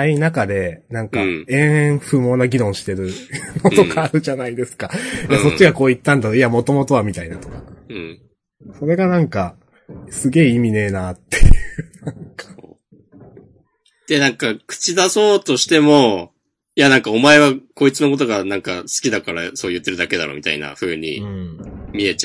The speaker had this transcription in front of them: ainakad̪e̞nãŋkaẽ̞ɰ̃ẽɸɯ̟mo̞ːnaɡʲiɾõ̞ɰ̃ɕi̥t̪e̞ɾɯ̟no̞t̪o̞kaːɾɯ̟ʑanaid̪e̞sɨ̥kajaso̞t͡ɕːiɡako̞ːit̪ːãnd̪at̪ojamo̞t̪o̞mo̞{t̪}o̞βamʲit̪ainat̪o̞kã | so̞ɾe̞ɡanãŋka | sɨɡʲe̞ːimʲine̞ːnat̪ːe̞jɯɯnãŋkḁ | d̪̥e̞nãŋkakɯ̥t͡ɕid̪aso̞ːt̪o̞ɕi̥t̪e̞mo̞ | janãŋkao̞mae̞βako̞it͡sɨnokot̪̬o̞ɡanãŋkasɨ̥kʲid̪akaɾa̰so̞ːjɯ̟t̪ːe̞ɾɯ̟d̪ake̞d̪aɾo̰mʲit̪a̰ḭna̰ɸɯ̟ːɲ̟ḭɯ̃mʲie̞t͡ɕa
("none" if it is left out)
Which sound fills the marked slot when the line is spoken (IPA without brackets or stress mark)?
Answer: t̪